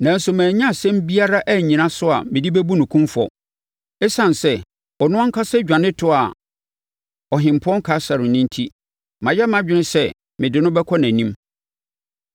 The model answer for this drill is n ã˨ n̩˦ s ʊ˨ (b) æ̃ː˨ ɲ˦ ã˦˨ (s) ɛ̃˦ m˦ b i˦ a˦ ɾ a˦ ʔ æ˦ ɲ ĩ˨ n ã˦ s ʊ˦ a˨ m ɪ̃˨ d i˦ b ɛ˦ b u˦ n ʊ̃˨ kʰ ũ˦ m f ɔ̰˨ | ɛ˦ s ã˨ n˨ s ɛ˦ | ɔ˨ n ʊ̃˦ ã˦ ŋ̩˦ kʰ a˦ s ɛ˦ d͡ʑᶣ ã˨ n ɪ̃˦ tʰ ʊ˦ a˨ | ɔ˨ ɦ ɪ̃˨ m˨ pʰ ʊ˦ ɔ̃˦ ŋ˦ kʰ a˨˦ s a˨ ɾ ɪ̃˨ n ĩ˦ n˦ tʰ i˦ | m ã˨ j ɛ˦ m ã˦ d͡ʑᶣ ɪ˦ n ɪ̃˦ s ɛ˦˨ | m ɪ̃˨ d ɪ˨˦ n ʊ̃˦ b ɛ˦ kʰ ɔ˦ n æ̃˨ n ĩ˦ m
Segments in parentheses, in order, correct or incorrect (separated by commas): incorrect, correct